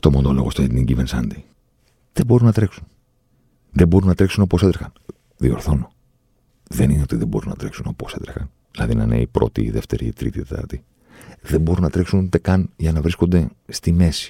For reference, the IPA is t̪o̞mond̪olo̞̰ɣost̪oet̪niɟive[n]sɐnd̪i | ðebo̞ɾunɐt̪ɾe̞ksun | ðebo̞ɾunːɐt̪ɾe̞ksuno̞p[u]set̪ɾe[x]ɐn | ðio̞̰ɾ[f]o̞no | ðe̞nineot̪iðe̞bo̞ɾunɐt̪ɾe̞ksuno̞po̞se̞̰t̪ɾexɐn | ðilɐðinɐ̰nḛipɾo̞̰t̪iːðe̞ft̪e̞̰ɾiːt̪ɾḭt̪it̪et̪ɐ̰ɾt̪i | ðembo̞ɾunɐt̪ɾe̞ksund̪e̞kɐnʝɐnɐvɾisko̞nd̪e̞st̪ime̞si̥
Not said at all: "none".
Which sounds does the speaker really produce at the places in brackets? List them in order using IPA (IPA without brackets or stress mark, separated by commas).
n, o, x, θ